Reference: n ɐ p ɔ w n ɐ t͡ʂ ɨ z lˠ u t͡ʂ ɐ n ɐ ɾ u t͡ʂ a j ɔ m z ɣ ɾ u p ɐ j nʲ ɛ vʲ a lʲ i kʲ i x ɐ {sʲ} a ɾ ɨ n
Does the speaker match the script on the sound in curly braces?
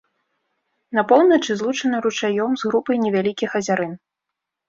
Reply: no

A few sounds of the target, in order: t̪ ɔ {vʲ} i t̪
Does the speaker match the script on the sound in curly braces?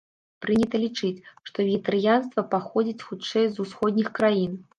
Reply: yes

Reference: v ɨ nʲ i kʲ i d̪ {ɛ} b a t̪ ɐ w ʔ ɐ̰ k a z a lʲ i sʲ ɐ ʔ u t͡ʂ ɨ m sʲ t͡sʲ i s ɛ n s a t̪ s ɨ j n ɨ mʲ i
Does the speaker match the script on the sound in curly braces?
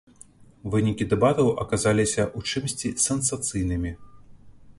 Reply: yes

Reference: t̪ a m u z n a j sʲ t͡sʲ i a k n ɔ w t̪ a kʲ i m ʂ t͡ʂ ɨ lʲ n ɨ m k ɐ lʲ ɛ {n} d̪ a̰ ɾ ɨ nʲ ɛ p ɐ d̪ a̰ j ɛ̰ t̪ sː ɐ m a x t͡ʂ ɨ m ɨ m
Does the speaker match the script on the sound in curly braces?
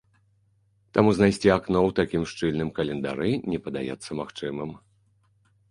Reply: yes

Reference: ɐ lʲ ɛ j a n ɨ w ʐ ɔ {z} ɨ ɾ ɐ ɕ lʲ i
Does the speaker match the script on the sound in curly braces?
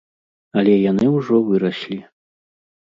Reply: no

